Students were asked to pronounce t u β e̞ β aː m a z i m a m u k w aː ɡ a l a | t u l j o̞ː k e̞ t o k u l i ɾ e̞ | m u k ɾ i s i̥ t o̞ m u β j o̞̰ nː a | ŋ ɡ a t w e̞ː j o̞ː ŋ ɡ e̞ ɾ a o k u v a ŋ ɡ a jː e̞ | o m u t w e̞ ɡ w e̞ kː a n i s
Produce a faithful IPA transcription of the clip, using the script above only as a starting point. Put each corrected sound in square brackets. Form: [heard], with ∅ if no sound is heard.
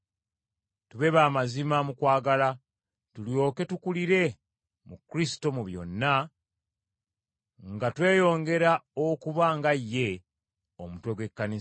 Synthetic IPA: t u β e̞ β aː m a z i m a m u k w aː ɡ a l a | t u l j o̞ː k e̞ t [u] k u l i ɾ e̞ | m u k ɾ i s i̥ t o̞ m u β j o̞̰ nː a | ŋ ɡ a t w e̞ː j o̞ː ŋ ɡ e̞ ɾ a o k u [β] a ŋ ɡ a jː e̞ | o m u t w e̞ ɡ w e̞ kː a n i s

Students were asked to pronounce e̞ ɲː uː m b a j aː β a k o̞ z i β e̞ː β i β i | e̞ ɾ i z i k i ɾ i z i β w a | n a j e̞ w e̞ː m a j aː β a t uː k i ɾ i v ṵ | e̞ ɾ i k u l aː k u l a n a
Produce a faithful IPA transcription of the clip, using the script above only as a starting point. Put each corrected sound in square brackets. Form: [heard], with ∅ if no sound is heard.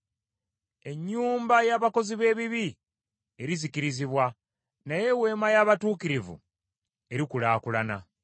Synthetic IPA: e̞ ɲː uː m b a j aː β a k o̞ z i β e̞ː β i β i | e̞ ɾ i z i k i ɾ i z i β w a | n a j e̞ w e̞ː m a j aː β a t uː k i ɾ i v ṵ | e̞ ɾ i k u l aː k u l a n a

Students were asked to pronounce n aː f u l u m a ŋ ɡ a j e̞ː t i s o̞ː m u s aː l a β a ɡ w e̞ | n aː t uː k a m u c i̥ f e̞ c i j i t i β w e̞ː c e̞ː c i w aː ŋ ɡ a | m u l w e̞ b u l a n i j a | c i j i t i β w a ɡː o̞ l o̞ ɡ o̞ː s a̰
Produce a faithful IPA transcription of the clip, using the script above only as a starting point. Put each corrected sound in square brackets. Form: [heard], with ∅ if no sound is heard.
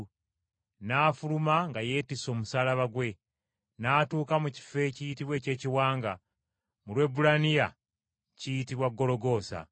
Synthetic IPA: n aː f u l u m a ŋ ɡ a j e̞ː t i s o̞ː m u s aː l a β a ɡ w e̞ | n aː t uː k a m u c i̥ f e̞ c i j i t i β w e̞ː c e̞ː c i w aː ŋ ɡ a | m u l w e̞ b u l a n i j a | c i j i t i β w a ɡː o̞ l o̞ ɡ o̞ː s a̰

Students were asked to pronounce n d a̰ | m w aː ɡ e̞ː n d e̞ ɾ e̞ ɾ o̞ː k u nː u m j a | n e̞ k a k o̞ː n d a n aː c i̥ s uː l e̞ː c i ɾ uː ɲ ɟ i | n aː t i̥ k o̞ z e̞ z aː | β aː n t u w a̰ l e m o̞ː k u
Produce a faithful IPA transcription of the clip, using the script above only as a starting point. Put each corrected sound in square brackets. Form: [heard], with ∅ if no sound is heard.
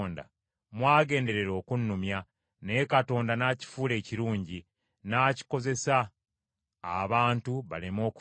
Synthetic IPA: n d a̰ | m w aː ɡ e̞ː n d e̞ ɾ e̞ ɾ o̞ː k u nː u m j a | n e̞ k a [t] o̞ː n d a n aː c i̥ [f] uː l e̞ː c i ɾ uː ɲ ɟ i | n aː [c] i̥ k o̞ z e̞ [s] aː | β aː n t u [β] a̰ l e m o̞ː k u

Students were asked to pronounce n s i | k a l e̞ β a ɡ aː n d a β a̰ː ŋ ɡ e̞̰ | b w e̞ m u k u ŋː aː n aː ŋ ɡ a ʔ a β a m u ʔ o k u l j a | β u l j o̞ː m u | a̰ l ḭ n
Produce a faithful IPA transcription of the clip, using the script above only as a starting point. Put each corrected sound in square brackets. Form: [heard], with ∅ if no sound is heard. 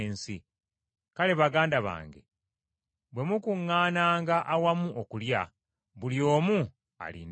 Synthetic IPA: n s i | k a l e̞ β a ɡ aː n d a β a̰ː ŋ ɡ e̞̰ | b w e̞ m u k u ŋː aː n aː ŋ ɡ a ʔ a [w] a m u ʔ o k u l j a | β u l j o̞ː m u | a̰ l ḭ n

